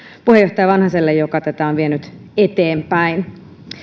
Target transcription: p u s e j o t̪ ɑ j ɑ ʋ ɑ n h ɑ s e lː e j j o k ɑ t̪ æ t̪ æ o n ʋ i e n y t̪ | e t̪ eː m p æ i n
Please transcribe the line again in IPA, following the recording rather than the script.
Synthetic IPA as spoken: p u h e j o t̪ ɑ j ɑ ʋ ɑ n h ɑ s e lː e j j o k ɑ t̪ æ t̪ æ o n ʋ i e n y t̪ | e t̪ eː m p æ i n